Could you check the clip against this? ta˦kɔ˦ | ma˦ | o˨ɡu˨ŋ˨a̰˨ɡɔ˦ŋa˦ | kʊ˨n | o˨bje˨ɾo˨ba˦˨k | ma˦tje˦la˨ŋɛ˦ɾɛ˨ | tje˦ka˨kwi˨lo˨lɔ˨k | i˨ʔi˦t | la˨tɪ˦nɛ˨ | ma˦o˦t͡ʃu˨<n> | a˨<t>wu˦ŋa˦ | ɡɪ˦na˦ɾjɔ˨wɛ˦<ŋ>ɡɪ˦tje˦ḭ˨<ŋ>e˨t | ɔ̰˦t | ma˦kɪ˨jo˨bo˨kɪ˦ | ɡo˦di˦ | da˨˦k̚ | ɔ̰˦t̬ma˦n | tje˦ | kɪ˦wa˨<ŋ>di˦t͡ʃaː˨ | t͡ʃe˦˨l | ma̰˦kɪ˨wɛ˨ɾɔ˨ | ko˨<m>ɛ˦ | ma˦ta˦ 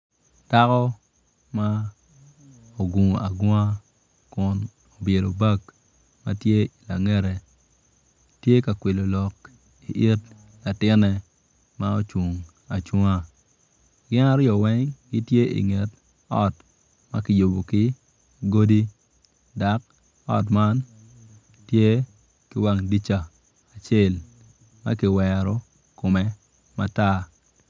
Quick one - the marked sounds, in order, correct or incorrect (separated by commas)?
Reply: incorrect, incorrect, correct, correct, correct, correct